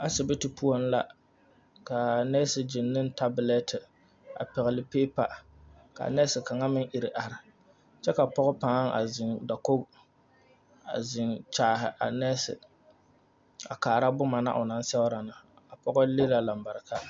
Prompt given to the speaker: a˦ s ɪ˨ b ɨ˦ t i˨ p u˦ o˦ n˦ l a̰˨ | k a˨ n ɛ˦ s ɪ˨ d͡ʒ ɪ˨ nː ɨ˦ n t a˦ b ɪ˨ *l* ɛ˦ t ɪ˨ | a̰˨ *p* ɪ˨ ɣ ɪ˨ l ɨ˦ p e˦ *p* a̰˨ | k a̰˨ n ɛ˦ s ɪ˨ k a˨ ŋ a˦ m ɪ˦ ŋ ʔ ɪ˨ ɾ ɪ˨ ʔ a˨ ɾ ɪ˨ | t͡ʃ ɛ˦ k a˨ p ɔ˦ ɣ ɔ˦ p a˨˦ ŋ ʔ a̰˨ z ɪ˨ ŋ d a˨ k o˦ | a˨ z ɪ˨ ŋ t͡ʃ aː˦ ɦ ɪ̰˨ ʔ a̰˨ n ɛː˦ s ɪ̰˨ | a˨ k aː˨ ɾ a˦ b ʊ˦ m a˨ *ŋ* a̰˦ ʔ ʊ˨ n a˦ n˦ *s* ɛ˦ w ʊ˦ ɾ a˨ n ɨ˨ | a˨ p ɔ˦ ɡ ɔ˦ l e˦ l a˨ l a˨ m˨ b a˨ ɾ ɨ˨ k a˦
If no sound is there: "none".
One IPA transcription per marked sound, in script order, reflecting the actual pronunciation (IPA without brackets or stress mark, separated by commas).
l, p, p, n, s